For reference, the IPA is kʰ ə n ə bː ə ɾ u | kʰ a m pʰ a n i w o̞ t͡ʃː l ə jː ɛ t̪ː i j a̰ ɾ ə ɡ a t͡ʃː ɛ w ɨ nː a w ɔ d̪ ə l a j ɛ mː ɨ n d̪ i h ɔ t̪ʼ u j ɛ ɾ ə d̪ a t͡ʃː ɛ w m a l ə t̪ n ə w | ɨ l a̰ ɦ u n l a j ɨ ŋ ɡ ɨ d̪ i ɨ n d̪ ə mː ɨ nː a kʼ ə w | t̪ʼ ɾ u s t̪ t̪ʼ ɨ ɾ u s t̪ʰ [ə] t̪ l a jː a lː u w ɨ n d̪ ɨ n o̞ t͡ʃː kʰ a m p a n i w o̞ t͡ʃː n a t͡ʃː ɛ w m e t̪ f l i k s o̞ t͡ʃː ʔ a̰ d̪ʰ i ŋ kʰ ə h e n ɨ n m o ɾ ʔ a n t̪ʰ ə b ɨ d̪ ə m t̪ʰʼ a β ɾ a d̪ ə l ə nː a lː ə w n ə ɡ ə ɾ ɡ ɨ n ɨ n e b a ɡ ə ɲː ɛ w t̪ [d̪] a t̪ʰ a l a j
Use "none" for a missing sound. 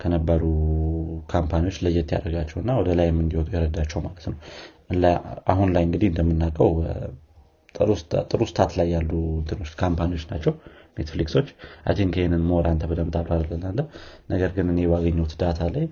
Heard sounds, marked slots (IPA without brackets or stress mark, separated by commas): a, d̪